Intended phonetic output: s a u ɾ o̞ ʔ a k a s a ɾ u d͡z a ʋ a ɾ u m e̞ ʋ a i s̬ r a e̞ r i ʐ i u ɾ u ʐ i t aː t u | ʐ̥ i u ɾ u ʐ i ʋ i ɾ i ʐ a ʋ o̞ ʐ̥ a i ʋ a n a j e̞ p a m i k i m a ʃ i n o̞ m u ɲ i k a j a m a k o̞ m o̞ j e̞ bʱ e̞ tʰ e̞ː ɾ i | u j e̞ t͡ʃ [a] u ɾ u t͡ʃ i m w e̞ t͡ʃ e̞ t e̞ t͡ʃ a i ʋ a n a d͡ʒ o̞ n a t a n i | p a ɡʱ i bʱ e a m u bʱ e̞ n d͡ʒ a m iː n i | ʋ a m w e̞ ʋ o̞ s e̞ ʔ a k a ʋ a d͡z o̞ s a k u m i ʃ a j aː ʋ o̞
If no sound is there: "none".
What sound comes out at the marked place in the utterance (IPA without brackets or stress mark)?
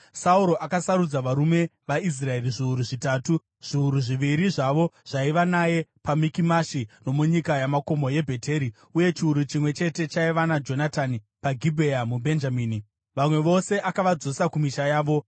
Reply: i